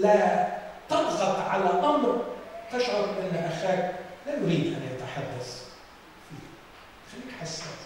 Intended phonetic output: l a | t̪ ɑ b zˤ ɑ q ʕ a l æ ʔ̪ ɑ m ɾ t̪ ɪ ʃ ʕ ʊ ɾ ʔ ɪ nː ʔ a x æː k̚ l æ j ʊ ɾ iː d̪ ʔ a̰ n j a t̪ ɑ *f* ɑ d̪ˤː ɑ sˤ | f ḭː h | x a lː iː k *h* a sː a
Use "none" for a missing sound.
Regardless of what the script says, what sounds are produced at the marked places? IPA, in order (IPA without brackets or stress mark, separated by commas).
ħ, ħ